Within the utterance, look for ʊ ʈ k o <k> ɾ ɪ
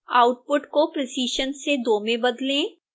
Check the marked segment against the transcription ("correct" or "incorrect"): incorrect